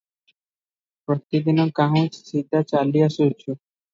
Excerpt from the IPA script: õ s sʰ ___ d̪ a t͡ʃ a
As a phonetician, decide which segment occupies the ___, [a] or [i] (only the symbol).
i